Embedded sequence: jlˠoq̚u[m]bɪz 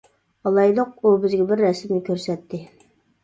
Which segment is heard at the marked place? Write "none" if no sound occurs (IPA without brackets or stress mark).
none